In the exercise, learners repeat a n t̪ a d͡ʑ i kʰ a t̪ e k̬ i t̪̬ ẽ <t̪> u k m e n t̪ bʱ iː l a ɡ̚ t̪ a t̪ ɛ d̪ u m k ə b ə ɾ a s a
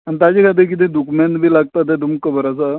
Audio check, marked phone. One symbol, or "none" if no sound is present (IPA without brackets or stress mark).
d̪